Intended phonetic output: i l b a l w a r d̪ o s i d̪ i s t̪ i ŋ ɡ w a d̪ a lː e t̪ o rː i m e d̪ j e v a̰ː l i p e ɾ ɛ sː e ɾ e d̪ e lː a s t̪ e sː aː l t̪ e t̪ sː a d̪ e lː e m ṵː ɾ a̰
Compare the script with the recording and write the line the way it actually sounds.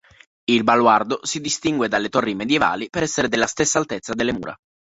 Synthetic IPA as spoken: i l b a l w a r d̪ o s i d̪ i s t̪ i ŋ ɡ w e d̪ a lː e t̪ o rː i m e d̪ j e v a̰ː l i p e ɾ ɛ sː e ɾ e d̪ e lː a s t̪ e sː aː l t̪ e t̪ sː a d̪ e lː e m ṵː ɾ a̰